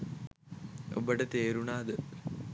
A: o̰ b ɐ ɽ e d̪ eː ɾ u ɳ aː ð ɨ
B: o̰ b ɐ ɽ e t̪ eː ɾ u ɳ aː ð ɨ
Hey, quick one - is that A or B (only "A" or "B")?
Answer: B